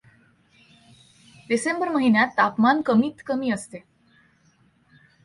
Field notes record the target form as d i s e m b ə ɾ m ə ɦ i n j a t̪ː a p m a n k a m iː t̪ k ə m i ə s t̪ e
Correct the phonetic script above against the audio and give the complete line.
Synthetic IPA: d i s e m b ə ɾ m ə ɦ i n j a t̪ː a p m a n k ə m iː t̪ k ə m iː ə s t̪ e

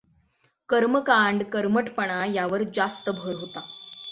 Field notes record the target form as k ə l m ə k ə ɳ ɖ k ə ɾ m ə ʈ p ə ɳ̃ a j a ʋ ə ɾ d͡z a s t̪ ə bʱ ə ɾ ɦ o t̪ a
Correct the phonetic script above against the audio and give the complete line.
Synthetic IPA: k ə ɾ m ə k a ɳ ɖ k ə ɾ m ə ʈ p ə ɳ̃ a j a ʋ ə ɾ d͡z a s t̪ ə bʱ ə ɾ ɦ o t̪ a

